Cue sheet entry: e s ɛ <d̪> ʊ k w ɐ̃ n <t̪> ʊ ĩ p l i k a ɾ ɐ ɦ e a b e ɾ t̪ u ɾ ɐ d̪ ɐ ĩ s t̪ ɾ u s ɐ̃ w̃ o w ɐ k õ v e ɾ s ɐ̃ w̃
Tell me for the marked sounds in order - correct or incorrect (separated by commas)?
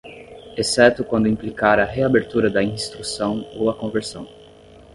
incorrect, incorrect